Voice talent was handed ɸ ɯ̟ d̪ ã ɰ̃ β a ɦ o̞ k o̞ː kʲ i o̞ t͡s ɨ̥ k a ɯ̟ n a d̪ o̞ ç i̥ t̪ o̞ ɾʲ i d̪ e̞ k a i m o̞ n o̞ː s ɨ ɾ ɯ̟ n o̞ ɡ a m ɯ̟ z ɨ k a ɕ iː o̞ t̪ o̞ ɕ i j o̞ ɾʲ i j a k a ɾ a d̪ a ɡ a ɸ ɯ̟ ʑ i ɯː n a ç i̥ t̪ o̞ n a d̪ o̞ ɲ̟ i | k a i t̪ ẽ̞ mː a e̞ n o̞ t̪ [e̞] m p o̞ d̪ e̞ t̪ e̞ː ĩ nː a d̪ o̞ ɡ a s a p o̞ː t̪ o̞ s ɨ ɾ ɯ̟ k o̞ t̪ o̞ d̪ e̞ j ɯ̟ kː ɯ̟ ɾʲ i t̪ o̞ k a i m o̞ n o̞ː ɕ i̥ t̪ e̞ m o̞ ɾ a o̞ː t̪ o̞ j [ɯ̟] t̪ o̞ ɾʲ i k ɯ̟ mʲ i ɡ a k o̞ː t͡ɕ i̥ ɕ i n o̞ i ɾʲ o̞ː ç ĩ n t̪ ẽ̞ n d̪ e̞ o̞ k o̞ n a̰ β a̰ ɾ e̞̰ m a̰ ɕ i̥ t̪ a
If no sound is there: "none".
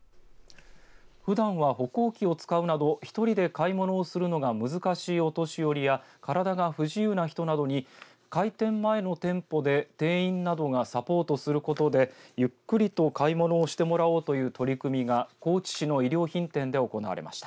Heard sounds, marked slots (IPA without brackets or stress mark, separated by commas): ẽ̞, ɯ̟ː